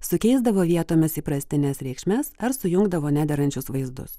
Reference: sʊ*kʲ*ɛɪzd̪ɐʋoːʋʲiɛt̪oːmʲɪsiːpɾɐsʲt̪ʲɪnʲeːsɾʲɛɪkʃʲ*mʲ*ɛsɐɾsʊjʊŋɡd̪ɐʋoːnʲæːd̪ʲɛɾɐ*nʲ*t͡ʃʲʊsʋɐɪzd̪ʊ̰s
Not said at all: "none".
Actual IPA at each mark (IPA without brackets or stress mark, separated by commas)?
kʲ, mʲ, nʲ